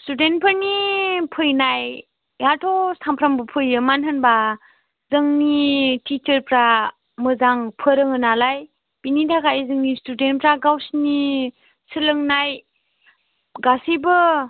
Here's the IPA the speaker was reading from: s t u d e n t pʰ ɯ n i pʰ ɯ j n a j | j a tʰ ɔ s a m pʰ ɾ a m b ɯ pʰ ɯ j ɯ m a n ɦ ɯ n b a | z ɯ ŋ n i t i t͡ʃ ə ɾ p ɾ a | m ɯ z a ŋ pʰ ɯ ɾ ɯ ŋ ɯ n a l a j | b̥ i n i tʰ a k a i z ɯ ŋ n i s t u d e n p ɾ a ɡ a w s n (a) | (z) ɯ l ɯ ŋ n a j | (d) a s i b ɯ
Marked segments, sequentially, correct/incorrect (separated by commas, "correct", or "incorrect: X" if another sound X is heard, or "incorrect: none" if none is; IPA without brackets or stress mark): incorrect: i, incorrect: s, incorrect: ɡ